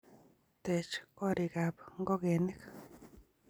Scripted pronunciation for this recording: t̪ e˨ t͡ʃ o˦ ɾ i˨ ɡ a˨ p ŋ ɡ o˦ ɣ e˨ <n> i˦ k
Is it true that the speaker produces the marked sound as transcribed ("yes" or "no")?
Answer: yes